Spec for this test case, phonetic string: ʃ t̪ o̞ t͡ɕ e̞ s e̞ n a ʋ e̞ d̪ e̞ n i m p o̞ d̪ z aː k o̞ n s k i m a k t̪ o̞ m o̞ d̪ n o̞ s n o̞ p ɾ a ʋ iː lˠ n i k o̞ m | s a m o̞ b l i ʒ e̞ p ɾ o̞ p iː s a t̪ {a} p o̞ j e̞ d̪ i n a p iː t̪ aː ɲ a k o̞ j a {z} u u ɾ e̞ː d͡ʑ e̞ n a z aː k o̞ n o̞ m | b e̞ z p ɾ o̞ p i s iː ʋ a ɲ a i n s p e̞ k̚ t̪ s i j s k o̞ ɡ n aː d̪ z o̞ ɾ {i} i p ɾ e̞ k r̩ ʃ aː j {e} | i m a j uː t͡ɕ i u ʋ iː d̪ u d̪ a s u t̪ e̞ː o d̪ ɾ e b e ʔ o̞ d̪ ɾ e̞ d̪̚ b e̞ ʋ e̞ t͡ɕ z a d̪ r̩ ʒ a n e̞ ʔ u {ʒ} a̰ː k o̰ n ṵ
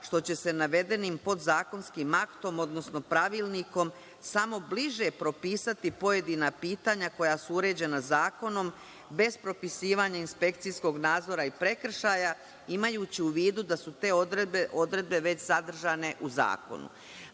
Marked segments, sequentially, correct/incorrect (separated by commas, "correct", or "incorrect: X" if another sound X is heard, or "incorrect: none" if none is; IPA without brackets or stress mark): incorrect: i, incorrect: s, incorrect: a, incorrect: a, incorrect: z